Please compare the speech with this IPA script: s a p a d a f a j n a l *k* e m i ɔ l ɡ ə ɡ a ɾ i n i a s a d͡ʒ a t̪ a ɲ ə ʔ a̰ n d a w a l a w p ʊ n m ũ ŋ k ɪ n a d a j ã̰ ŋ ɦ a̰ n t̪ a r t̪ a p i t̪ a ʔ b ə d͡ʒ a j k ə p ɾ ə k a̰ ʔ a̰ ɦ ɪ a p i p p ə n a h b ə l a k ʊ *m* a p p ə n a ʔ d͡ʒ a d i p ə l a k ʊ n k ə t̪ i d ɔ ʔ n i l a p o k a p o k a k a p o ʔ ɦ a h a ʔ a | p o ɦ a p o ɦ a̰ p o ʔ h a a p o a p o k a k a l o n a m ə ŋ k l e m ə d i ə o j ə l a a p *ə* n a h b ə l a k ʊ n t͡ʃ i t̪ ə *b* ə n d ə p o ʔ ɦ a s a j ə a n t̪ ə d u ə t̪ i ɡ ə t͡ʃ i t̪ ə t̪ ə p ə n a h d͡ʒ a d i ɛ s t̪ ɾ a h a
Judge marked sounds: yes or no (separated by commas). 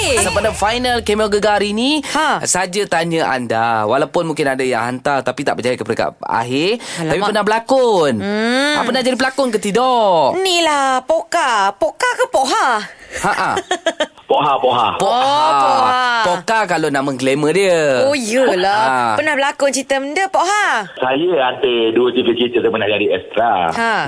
yes, no, yes, no